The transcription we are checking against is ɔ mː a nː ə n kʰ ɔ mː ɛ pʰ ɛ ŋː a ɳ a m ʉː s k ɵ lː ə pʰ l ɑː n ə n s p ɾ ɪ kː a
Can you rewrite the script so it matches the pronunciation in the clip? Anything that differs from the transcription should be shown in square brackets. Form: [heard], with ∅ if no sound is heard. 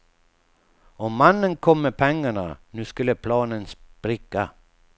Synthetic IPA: ɔ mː a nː ə n kʰ ɔ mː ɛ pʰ ɛ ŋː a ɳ a [n] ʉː s k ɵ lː ə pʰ l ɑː n ə n s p ɾ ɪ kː a